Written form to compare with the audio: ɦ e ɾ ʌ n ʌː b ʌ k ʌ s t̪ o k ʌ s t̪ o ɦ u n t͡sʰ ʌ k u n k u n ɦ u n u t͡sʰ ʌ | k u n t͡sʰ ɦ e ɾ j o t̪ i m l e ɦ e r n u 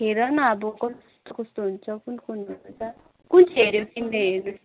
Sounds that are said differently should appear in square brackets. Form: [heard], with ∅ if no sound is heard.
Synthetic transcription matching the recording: ɦ e ɾ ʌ n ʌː b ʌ k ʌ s t̪ o k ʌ s t̪ o ɦ u n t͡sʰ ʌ k u n k u n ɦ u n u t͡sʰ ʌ | k u n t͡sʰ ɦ e ɾ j o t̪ i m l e ɦ e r n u